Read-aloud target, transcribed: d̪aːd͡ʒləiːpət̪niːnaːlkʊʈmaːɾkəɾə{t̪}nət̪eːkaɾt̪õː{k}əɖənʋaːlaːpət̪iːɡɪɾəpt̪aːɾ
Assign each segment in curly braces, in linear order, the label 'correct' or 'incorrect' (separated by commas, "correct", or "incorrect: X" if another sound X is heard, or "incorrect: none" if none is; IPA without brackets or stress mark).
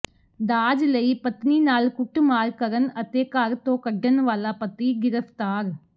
incorrect: none, correct